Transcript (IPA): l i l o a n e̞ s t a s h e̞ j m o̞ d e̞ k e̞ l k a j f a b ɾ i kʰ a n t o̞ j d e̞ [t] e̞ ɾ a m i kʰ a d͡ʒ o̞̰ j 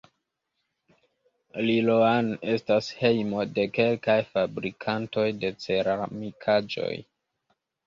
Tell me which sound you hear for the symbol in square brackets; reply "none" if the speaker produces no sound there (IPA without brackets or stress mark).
t͡s